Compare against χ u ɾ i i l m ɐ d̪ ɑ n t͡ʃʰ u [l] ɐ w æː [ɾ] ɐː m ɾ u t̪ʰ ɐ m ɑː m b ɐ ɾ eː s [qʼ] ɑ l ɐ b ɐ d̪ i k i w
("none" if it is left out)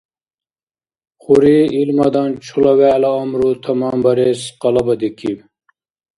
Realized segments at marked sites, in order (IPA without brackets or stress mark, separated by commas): l, l, q